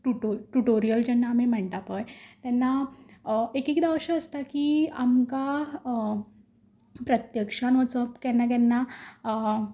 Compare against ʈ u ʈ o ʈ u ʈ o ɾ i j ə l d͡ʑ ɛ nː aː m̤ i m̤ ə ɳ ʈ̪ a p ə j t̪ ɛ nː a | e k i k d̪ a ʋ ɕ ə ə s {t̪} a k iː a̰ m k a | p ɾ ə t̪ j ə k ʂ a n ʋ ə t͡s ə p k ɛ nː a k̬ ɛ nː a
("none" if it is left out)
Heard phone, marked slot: t̪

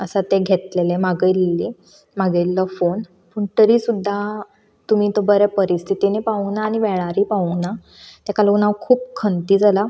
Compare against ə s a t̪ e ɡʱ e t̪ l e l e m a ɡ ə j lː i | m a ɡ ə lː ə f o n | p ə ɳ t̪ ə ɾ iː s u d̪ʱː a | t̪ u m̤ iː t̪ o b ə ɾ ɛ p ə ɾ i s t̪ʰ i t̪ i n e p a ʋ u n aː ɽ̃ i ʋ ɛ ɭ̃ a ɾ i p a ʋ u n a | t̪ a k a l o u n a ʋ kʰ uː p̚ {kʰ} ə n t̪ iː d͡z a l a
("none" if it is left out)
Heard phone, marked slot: kʰ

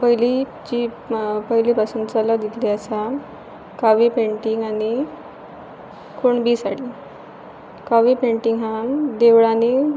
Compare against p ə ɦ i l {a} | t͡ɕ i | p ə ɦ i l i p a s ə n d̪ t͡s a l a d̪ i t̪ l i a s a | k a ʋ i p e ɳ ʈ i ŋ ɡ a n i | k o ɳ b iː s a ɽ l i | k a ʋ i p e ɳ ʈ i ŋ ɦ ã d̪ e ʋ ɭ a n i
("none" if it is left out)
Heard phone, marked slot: i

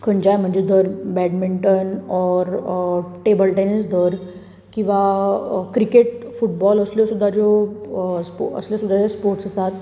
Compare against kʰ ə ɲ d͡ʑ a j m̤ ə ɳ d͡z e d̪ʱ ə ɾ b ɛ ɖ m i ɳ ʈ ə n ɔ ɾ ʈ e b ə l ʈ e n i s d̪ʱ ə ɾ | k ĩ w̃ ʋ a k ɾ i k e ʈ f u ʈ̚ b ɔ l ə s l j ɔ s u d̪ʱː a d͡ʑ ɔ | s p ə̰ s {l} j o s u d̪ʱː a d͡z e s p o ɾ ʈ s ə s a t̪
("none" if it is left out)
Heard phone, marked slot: l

